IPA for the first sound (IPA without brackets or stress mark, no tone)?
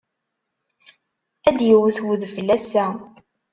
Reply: æ